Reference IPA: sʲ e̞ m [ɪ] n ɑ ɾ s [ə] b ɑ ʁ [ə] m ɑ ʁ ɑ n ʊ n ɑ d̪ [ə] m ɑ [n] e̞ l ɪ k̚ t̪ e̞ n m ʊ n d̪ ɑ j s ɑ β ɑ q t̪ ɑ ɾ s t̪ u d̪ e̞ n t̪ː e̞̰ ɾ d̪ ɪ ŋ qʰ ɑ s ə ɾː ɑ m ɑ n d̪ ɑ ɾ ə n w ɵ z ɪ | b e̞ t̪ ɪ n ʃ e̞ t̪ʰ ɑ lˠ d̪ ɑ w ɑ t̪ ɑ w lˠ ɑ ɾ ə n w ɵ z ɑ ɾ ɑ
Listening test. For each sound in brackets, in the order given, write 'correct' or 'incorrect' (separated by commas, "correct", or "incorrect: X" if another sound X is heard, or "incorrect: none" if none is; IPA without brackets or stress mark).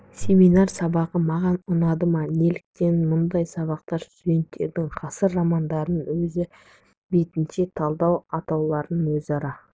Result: incorrect: i, incorrect: ɑ, correct, correct, correct